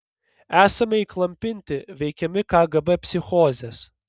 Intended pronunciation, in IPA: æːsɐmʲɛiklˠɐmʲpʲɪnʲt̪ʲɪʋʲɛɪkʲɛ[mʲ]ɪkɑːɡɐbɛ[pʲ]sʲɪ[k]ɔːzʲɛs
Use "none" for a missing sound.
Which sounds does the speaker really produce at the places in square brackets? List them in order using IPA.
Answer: mʲ, pʲ, x

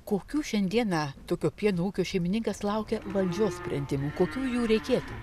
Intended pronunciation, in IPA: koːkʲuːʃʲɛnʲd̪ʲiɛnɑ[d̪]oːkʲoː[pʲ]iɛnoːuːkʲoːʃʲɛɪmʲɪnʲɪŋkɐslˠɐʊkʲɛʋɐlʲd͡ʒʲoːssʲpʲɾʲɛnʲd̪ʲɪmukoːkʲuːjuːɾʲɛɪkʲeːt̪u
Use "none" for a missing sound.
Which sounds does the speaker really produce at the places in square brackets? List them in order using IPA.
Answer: t̪, pʲ

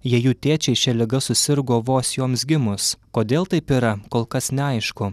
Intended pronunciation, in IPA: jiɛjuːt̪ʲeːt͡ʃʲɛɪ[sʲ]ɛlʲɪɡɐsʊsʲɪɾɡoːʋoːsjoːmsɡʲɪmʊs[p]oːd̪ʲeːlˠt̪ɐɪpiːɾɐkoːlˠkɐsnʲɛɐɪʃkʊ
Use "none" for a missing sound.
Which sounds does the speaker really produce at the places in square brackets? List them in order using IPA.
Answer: ʃʲ, k

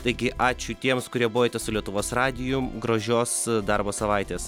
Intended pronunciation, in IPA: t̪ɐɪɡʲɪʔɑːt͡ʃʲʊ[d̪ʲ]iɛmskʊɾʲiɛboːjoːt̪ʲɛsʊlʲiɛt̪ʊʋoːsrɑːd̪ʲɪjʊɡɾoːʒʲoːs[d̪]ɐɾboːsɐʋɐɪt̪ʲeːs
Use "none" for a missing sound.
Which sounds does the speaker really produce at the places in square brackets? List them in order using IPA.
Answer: t̪ʲ, d̪

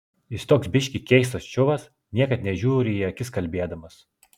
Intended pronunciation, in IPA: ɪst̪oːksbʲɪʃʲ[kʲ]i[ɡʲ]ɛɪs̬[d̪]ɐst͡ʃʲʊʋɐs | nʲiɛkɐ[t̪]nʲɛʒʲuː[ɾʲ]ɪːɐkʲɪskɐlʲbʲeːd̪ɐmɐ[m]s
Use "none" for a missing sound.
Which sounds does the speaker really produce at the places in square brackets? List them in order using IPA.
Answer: kʲ, kʲ, t̪, t̪, ɾʲ, none

